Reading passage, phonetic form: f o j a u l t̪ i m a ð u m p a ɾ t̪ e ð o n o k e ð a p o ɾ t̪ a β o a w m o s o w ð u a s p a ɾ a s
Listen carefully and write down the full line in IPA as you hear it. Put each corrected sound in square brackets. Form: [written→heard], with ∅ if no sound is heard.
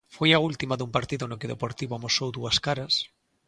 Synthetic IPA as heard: f o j a u l t̪ i m a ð u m p a ɾ t̪ [e→i] ð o n o k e ð [a→e] p o ɾ t̪ [a→i] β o a [w→∅] m o s o w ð u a s [p→k] a ɾ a s